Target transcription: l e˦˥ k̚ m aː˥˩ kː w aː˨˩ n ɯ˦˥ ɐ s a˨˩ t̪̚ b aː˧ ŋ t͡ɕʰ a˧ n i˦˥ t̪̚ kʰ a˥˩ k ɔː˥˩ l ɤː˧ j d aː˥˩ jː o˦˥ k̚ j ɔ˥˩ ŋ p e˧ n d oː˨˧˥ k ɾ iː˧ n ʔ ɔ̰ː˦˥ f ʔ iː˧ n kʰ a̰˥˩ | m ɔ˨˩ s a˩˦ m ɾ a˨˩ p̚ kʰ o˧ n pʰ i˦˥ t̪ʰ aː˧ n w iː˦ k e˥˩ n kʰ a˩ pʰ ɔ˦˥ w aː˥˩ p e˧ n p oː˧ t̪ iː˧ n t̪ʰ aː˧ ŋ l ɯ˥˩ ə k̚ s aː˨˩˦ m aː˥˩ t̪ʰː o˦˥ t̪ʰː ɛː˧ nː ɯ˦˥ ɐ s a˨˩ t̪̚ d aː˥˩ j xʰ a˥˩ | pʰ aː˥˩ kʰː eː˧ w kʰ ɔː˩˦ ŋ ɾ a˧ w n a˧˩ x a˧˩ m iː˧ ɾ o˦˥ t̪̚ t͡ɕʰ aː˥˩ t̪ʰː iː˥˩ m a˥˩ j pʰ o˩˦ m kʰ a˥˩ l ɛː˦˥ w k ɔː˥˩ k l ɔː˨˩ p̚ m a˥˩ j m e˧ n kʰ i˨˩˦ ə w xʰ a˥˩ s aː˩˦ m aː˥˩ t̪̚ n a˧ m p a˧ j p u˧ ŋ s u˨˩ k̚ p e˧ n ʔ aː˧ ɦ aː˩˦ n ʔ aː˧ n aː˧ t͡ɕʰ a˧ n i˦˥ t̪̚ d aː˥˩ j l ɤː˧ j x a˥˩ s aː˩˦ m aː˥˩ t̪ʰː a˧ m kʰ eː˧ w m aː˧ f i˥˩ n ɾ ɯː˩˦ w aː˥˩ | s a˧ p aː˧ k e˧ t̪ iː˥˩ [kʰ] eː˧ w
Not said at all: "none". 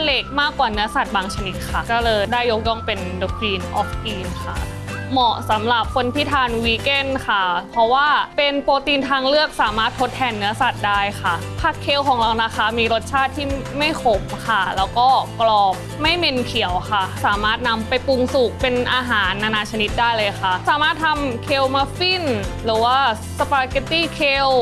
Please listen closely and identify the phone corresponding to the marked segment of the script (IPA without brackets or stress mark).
kʰ